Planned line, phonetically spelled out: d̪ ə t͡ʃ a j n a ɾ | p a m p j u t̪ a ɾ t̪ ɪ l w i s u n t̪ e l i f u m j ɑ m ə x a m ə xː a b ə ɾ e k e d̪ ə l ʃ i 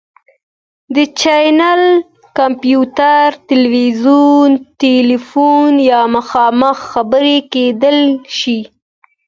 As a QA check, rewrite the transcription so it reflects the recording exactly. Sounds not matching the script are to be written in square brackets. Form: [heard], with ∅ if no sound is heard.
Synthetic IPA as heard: d̪ ə t͡ʃ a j n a [l] | [k] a m p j u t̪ a ɾ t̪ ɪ l w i [z] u n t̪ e l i f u [n] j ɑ m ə x [ɑ] m ə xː a b ə ɾ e k e d̪ ə l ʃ i